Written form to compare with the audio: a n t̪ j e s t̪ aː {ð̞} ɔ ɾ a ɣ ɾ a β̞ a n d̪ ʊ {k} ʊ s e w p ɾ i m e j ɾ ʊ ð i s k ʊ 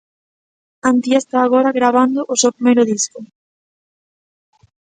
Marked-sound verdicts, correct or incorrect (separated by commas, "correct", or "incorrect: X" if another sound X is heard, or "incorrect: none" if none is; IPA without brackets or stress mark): incorrect: ɣ̞, incorrect: ʔ